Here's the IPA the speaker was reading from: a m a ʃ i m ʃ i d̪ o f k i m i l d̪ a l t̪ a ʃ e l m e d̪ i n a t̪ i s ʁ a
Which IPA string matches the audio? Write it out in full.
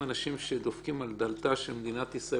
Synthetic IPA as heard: a n a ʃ i m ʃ e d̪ o f k i m a l d̪ a l t̪ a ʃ e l m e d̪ i n a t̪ i s ʁ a